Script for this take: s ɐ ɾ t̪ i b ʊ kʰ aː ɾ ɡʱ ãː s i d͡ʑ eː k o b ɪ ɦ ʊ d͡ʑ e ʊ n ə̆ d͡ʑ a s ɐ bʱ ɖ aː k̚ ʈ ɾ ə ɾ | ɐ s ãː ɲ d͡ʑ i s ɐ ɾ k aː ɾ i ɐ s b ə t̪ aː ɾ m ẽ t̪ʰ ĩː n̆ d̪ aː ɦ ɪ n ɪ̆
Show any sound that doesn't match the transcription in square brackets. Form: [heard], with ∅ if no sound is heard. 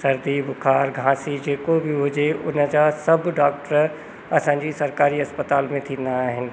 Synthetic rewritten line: s ɐ ɾ [d̪] i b ʊ kʰ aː ɾ ɡʱ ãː s i d͡ʑ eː k o b ɪ ɦ ʊ d͡ʑ e ʊ n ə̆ d͡ʑ a s ɐ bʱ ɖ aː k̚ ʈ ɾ ə ɾ | ɐ s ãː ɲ d͡ʑ i s ɐ ɾ k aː ɾ i ɐ s [p] ə t̪ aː [l] m ẽ t̪ʰ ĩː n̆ d̪ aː ɦ ɪ n ɪ̆